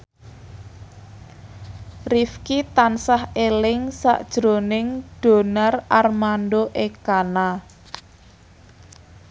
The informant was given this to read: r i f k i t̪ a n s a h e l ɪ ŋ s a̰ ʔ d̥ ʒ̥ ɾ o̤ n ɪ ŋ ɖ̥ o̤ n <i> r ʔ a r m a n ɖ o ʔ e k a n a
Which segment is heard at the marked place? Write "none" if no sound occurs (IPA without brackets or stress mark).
a